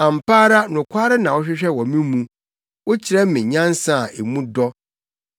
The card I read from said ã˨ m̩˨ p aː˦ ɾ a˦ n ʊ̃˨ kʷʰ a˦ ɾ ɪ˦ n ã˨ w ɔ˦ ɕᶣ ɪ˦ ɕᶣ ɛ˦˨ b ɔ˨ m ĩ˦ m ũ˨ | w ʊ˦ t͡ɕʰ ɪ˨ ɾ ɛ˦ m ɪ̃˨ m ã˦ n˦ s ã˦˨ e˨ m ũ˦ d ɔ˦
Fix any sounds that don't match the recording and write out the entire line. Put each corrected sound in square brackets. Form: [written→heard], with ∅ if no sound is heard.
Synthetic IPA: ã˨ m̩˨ p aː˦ ɾ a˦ n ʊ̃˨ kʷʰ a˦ ɾ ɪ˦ n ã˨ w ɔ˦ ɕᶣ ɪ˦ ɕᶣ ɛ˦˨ [b→w] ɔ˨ m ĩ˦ m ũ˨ | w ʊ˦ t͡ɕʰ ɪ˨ ɾ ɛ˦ m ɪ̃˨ [m→ɲ] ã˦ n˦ s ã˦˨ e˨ m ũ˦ d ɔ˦

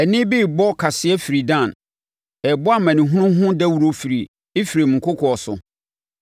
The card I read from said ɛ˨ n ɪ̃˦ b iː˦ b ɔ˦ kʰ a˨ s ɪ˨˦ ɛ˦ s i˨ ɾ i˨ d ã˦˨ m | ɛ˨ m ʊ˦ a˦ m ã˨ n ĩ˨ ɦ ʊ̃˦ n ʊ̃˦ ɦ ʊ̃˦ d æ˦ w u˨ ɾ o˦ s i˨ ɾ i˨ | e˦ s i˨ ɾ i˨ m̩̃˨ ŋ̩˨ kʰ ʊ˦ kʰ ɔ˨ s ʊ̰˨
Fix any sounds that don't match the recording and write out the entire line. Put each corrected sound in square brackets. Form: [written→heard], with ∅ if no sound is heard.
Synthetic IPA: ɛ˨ n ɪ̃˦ b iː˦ b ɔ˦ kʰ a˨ s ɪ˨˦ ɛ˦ [s→f] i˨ ɾ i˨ d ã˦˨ [m→n] | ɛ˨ [m→b] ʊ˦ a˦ m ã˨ n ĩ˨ ɦ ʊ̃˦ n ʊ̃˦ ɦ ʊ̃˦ d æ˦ w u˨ ɾ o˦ [s→f] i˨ ɾ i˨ | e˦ [s→f] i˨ ɾ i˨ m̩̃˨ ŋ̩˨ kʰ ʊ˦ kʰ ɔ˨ s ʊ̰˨

